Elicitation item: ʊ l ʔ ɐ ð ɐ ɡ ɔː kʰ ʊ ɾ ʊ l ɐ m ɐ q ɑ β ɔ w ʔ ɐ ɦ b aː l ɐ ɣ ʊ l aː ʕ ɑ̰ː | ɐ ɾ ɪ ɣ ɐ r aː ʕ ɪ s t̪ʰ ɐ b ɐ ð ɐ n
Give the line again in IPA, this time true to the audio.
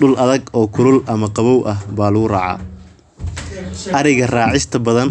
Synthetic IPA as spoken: ʊ l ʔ ɐ ð ɐ ɡ ɔː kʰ ʊ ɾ ʊ l ɐ m ɐ q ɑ β ɔ w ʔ ɐ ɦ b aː l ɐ ɣ ʊ r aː ʕ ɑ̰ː | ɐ ɾ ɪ ɣ ɐ r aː ʕ ɪ s t̪ʰ ɐ b ɐ ð ɐ n